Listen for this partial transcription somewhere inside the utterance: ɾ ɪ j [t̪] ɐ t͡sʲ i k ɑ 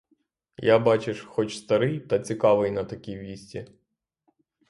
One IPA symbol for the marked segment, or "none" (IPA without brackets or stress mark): t̪